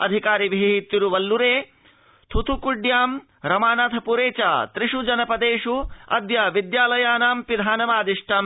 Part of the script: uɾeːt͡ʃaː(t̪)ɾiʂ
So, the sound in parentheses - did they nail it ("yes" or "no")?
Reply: yes